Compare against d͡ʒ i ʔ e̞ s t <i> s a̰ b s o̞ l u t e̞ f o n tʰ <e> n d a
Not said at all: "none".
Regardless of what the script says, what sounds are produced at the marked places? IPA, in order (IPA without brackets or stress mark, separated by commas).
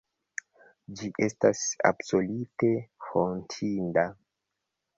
a, i